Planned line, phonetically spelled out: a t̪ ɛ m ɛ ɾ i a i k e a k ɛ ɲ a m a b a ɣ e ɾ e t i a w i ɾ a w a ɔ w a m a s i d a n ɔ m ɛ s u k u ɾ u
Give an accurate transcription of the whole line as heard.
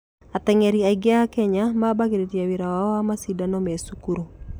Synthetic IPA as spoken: a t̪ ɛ ŋ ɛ ɾ i a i ɡ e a k ɛ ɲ a m a b a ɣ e ɾ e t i a w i ɾ a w a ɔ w a m a s i d a n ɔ m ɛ s u k u ɾ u